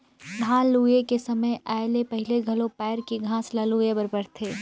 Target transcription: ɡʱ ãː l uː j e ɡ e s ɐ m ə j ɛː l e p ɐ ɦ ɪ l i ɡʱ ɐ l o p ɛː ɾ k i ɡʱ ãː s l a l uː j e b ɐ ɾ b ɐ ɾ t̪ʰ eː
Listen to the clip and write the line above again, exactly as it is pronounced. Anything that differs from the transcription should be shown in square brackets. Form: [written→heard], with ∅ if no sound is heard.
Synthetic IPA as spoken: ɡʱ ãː l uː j e [ɡ→k] e s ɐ m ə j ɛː l e p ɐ ɦ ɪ l [i→e] ɡʱ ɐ l o p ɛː ɾ k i ɡʱ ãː s l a l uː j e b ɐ ɾ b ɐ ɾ t̪ʰ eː